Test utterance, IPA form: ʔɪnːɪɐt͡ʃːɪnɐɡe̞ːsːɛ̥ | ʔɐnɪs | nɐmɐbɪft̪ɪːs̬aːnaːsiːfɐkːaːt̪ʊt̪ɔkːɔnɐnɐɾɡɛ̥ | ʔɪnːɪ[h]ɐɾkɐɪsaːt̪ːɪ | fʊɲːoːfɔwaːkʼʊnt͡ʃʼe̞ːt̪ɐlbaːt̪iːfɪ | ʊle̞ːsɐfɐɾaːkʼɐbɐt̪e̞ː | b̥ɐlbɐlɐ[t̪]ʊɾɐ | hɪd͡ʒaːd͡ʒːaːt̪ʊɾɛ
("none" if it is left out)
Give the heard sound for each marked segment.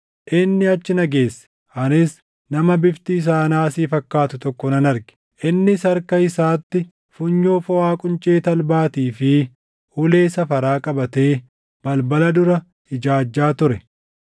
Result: s, d̪

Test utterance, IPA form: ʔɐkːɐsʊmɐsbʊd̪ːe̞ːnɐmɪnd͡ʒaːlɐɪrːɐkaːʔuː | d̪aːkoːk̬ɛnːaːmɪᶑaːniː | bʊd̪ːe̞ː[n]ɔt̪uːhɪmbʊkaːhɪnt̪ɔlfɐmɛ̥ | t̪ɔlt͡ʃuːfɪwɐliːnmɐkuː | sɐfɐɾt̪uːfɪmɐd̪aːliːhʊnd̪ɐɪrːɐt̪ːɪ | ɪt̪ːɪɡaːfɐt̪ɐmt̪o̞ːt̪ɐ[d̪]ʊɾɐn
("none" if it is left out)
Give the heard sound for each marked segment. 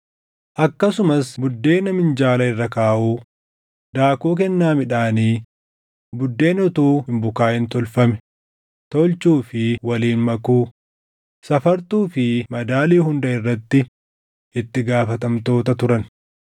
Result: n, t̪

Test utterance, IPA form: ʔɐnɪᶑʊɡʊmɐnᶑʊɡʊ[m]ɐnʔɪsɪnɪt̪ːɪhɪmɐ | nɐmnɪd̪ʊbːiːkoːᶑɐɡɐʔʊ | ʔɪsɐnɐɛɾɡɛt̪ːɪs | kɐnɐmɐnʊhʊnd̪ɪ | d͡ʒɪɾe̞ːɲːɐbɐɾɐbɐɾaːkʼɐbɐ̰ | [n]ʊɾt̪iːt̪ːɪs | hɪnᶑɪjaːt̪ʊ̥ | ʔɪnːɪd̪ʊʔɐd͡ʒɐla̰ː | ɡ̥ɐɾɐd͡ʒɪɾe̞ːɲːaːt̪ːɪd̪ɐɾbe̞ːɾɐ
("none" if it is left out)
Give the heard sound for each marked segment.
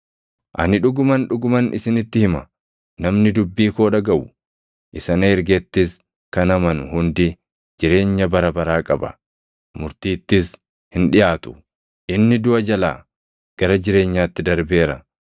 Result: m, m

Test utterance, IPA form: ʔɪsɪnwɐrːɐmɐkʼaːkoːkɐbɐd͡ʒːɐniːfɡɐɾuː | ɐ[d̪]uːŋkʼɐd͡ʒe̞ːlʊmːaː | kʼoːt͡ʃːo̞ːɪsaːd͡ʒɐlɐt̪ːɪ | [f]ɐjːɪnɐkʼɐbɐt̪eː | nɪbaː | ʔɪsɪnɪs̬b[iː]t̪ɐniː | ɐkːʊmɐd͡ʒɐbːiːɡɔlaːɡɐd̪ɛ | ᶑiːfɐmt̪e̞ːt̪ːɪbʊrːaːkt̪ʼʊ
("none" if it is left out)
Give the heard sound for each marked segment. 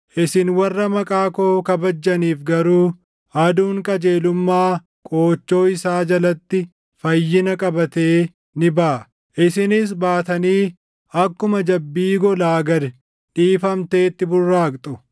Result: d̪, f, aː

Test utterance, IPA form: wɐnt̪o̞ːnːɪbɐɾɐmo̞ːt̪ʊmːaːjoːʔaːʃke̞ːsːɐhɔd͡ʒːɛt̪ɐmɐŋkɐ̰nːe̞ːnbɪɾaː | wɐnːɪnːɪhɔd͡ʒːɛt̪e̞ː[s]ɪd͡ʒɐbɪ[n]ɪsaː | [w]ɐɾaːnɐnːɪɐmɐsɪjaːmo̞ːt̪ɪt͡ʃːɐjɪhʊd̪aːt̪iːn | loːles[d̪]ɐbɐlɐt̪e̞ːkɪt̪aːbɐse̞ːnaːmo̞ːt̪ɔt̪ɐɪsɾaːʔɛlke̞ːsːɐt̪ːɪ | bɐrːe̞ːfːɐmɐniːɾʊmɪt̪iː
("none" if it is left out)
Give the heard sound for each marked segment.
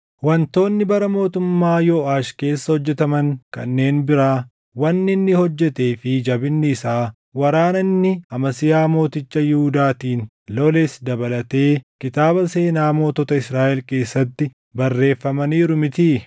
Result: f, nː, w, d̪

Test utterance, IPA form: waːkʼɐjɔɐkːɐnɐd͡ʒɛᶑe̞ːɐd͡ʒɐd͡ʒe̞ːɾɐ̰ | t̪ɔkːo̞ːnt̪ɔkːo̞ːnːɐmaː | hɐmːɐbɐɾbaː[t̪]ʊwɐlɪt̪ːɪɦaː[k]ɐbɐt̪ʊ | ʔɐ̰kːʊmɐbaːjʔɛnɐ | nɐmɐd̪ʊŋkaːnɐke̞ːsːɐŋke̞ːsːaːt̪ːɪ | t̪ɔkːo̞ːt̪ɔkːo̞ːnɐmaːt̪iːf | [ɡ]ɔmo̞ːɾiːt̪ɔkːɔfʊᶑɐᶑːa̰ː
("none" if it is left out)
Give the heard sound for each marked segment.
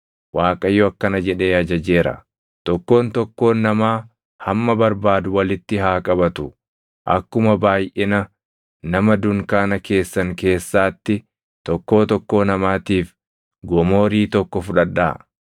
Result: d̪, kʼ, ɡ

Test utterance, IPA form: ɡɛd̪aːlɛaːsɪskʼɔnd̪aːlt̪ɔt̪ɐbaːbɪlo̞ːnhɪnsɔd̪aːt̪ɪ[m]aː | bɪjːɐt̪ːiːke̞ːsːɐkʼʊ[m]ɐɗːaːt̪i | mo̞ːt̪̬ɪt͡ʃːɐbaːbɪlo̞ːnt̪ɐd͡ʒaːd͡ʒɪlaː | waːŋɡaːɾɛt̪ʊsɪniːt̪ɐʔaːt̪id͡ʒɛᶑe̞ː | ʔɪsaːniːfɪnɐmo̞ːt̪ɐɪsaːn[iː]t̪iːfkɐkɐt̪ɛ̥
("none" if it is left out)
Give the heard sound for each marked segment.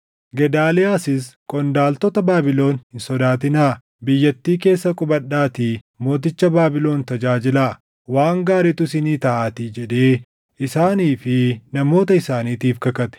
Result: n, b, iː

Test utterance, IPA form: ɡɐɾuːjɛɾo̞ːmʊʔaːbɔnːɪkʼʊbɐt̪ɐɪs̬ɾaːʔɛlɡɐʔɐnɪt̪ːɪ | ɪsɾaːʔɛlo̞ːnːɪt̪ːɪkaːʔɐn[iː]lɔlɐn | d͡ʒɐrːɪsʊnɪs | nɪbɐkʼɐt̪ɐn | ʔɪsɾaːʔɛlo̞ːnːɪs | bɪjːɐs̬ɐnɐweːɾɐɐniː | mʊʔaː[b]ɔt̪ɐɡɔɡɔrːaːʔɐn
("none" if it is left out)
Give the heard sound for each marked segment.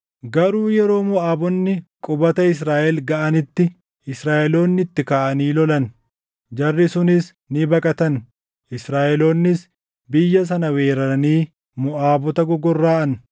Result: iː, b

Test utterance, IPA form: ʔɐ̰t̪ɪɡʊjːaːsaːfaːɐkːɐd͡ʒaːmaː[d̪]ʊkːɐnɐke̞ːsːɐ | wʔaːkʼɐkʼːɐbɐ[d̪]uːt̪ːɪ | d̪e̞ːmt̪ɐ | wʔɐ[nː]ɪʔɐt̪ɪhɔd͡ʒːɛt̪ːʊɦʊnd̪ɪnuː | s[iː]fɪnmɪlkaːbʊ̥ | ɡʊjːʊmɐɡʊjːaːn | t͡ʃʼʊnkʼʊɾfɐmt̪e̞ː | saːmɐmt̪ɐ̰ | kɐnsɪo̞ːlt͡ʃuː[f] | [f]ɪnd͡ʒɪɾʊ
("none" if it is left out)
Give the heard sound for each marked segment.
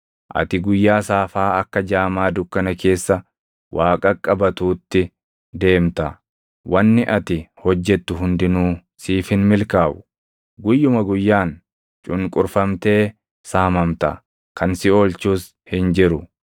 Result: d̪, t̪, nː, iː, s, h

